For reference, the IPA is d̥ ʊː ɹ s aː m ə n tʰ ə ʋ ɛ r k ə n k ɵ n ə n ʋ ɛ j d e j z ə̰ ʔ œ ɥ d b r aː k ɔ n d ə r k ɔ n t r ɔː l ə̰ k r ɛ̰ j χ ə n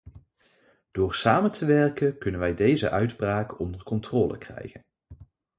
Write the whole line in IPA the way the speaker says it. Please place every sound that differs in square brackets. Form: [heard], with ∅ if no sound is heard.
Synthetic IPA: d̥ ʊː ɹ s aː m ə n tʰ ə ʋ ɛ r k ə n k ɵ n ə n ʋ ɛ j d e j z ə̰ ʔ œ ɥ d b r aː k ɔ n d ə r k ɔ n t r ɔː l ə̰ k r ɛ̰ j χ ə n

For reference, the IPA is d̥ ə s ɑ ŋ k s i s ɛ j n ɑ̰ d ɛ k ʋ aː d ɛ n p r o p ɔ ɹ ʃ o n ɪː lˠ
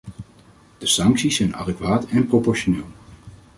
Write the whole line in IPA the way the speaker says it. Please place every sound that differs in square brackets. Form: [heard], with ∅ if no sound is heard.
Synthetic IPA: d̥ ə s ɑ ŋ k s i s ɛ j n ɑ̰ d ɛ k ʋ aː [t] ɛ n p r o p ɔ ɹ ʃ o n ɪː lˠ

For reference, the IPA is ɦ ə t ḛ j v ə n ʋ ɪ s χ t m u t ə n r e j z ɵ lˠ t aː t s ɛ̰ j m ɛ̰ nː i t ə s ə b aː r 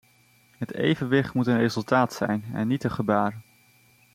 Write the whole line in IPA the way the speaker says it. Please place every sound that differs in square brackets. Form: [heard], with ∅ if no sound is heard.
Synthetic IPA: ɦ ə t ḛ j v ə n ʋ ɪ [∅] χ t m u t ə n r e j z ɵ lˠ t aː t s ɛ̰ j [n] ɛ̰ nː i t ə [χ] ə b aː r

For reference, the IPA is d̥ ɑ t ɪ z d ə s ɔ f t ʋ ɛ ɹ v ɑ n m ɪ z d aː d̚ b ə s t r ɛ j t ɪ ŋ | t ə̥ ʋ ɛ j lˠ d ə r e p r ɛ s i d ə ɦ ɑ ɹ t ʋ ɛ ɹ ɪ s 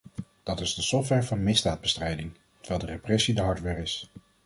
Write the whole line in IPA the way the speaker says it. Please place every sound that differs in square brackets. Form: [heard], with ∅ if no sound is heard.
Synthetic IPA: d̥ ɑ t ɪ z d ə s ɔ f t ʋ ɛ ɹ v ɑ n m ɪ z d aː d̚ b ə s t r ɛ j [d] ɪ ŋ | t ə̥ ʋ ɛ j lˠ d ə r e p r ɛ s i d ə ɦ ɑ ɹ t ʋ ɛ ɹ ɪ s

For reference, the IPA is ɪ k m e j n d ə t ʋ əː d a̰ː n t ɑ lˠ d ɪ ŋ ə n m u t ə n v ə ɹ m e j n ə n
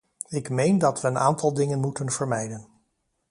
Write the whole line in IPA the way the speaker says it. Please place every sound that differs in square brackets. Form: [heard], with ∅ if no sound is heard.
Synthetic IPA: ɪ k m e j n d [ɑ] t ʋ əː [n] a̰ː n t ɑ lˠ d ɪ ŋ ə n m u t ə n v ə ɹ m [ɛ] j [d] ə n

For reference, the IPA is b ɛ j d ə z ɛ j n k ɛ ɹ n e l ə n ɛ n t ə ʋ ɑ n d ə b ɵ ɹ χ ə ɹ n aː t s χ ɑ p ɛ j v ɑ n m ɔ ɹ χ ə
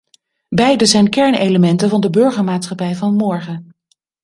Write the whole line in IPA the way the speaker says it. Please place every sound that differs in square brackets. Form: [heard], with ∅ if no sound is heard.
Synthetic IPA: b ɛ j d ə z ɛ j n k ɛ ɹ n e l ə [m] ɛ n t ə [v] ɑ n d ə b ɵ ɹ χ ə ɹ [m] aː t s χ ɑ p ɛ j v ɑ n m ɔ ɹ χ ə

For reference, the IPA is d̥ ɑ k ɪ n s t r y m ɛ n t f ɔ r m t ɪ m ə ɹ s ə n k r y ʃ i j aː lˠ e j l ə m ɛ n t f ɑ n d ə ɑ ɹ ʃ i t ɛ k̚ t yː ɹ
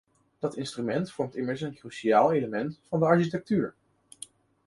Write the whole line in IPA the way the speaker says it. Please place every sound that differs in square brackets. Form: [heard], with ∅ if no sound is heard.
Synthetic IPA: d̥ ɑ [t] ɪ n s t r y m ɛ n t f ɔ [ɹ] m t ɪ m ə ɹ s ə n k r y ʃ i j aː lˠ e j l ə m ɛ n t f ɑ n d ə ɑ ɹ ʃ i t ɛ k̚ t yː ɹ

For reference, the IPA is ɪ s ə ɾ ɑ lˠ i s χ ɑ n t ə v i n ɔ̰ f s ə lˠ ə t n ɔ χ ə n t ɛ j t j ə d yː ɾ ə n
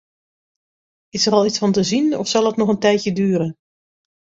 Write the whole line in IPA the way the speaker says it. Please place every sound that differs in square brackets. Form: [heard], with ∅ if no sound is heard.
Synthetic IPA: ɪ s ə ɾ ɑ lˠ i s [f] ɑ n t ə [z] i n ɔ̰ f s [ɑ] lˠ ə t n ɔ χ ə n t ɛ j t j ə d yː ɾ ə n

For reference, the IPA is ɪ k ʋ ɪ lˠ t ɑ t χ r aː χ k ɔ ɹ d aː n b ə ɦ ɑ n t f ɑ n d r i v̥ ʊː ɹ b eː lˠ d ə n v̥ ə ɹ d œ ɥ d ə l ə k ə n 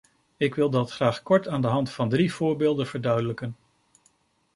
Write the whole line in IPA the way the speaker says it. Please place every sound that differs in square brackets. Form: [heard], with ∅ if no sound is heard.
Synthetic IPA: ɪ k ʋ ɪ lˠ [d] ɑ t χ r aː χ k ɔ ɹ [t] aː n [d] ə ɦ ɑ n t f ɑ n d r i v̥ ʊː ɹ b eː lˠ d ə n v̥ ə ɹ d œ ɥ d ə l ə k ə n

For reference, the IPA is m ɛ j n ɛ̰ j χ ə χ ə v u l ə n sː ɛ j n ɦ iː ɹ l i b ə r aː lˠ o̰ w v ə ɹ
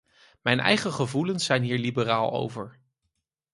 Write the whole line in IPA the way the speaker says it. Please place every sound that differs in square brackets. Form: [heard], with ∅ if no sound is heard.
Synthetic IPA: m ɛ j n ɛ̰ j χ ə χ ə v u l ə n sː ɛ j n ɦ iː ɹ l i b ə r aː lˠ o̰ w v ə ɹ

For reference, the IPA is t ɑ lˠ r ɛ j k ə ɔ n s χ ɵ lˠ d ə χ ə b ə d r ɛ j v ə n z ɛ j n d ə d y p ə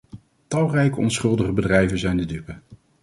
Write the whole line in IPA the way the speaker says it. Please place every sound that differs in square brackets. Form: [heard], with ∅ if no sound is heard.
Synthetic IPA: t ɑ lˠ r ɛ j k ə ɔ n s χ ɵ lˠ d ə χ ə b ə d r ɛ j v ə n z ɛ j n d ə d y p ə

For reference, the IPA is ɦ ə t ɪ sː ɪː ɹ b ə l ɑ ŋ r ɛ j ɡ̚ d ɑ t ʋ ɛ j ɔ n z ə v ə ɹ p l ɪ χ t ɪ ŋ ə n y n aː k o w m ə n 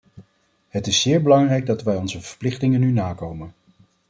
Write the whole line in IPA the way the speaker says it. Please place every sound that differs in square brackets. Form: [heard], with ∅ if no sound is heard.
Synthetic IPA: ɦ ə t ɪ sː ɪː ɹ b ə l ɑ ŋ r ɛ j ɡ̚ d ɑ t ʋ ɛ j ɔ n z ə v ə ɹ p l ɪ χ t ɪ ŋ ə n y n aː k o w m ə n

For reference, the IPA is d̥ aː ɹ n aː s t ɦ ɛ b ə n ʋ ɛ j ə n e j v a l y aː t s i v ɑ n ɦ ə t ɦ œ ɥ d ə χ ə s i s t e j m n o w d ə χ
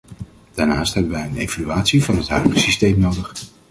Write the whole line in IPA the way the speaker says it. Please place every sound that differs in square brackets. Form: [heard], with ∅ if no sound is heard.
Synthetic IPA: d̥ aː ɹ n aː s t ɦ ɛ b ə n ʋ ɛ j ə n e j v a l y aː t s i v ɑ n ɦ ə t ɦ œ ɥ d ə χ ə s i s t e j m n o w d ə χ

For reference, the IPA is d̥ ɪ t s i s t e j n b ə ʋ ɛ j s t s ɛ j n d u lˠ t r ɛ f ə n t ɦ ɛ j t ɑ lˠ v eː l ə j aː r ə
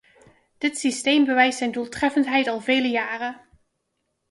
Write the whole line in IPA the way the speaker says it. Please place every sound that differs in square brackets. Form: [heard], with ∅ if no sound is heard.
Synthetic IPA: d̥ ɪ t s i s t e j [m] b ə ʋ ɛ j s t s ɛ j n d u lˠ t r ɛ f ə n t ɦ ɛ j t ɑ lˠ v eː l ə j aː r ə

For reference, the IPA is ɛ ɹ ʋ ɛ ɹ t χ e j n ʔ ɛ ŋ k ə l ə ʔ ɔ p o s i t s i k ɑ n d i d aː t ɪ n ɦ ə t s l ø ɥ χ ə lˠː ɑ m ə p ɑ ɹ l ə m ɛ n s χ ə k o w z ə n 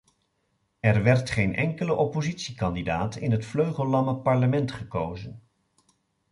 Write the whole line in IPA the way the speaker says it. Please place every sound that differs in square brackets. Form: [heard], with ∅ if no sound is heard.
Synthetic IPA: ɛ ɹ ʋ ɛ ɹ t χ e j n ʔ ɛ ŋ k ə l ə ʔ ɔ p o [z] i t s i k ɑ n d i d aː t ɪ n ɦ ə t [f] l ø ɥ χ ə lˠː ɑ m ə p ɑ ɹ l ə m ɛ n [t] χ ə k o w z ə n

